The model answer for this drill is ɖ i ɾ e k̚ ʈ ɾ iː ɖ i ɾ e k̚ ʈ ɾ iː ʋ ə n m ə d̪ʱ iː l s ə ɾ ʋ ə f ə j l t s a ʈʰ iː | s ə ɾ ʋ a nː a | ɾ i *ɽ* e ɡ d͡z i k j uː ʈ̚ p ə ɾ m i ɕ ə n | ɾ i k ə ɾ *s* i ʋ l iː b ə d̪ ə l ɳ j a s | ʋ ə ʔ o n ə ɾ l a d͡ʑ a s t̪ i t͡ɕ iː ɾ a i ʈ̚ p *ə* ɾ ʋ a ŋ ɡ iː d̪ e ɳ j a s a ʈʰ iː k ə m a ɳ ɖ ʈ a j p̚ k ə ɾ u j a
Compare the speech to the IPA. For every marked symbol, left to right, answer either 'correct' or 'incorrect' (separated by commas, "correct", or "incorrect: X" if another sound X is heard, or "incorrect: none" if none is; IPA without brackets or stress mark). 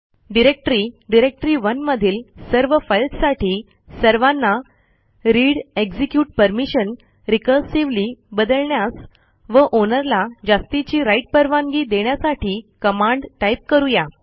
correct, correct, correct